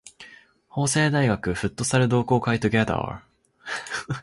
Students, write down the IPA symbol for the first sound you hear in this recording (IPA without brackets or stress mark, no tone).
h